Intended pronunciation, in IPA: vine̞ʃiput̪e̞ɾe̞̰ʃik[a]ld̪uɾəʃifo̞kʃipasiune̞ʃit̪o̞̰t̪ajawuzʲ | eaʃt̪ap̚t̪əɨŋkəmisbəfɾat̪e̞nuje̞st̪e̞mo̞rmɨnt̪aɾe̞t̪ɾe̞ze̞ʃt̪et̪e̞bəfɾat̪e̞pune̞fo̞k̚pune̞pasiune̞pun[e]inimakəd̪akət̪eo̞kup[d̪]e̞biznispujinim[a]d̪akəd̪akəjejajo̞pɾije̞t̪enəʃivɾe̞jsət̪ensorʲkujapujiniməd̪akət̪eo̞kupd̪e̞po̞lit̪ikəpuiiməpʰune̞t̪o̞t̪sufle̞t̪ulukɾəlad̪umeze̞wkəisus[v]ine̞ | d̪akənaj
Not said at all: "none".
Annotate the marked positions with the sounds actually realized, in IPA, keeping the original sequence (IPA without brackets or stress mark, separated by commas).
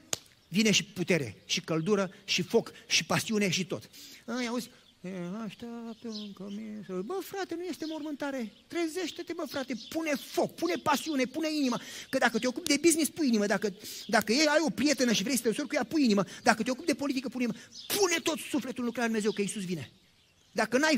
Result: ə, e, d̪, ə, v